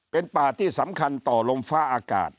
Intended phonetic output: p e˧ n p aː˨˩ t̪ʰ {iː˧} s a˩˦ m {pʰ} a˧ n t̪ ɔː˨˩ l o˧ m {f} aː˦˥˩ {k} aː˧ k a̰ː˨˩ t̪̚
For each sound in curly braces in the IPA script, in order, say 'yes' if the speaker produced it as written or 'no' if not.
no, no, yes, no

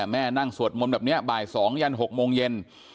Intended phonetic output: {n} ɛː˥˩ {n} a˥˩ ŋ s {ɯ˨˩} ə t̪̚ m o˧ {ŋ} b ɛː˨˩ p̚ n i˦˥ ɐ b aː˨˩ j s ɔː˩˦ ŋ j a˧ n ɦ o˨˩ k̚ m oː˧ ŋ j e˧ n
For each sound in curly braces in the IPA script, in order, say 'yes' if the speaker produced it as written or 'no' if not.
no, yes, no, no

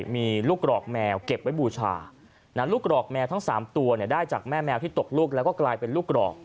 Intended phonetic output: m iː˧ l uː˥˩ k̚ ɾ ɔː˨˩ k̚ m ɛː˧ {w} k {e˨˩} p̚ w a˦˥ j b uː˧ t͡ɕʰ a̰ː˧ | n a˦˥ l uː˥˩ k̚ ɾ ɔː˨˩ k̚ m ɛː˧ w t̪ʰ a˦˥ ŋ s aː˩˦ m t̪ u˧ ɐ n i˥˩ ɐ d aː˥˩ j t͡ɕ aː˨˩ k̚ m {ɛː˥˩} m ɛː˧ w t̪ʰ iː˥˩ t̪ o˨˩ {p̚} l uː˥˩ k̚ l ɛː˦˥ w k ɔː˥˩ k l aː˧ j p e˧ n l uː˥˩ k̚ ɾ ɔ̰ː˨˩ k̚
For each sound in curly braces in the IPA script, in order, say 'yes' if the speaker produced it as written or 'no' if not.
yes, yes, yes, no

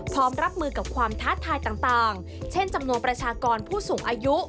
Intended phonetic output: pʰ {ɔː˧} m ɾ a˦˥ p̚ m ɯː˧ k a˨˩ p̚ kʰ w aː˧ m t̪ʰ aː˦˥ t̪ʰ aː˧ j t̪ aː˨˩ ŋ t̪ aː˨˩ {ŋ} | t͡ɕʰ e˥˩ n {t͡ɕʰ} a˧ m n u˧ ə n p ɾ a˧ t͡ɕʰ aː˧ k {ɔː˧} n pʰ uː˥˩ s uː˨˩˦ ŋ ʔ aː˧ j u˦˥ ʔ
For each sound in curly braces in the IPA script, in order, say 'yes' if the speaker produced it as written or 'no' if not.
no, yes, no, yes

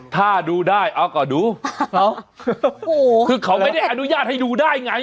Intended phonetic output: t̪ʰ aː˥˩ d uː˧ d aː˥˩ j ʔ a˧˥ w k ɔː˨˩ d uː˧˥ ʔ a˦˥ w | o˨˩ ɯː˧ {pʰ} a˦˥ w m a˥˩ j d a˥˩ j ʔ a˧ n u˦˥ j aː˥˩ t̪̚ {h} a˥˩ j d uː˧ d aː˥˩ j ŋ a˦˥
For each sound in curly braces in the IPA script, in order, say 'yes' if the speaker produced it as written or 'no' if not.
no, yes

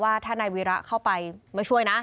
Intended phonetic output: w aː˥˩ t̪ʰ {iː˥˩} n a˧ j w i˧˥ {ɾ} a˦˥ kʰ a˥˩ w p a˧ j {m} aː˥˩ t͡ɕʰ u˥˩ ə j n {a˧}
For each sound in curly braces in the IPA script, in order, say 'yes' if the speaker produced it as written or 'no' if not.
no, yes, yes, no

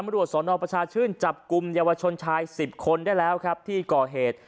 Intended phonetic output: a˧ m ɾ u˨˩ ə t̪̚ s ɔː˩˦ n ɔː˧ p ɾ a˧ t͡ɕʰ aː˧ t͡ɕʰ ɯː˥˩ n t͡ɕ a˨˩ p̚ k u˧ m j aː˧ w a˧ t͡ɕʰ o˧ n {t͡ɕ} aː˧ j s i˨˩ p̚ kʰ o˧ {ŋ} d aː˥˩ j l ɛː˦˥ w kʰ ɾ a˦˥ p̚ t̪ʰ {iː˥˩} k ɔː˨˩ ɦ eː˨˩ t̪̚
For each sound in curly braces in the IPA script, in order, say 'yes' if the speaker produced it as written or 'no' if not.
no, no, yes

